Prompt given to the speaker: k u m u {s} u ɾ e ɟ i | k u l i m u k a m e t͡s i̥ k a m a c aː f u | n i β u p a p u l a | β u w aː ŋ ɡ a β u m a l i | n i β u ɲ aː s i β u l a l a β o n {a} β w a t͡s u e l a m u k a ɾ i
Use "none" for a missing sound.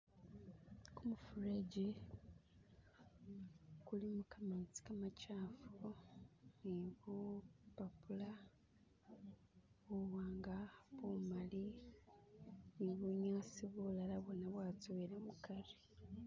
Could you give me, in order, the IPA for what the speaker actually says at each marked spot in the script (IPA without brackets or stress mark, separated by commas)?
f, a